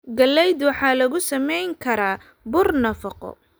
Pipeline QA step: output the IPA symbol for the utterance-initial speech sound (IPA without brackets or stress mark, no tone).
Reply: ɡ